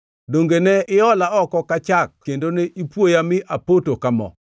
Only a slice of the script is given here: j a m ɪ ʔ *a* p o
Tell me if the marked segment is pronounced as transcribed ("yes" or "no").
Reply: yes